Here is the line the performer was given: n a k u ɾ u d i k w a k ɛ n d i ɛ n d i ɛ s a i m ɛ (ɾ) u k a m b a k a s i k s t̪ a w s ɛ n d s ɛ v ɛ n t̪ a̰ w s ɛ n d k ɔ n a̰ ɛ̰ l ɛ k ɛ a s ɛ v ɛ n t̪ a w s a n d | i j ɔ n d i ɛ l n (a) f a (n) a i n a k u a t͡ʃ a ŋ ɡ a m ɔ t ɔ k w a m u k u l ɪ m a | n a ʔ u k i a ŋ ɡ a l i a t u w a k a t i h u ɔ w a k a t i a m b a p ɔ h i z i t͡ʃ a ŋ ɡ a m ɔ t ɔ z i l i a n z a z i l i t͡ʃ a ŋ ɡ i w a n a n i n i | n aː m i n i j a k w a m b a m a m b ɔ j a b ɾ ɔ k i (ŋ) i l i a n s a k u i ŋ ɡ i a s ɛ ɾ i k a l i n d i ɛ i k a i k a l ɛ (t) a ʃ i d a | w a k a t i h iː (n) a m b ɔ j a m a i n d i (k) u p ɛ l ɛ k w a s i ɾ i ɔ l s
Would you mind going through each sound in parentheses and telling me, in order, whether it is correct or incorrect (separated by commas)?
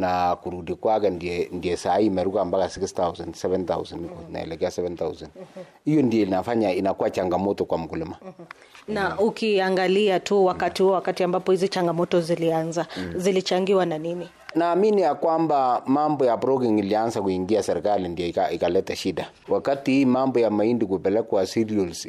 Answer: correct, correct, incorrect, correct, correct, incorrect, correct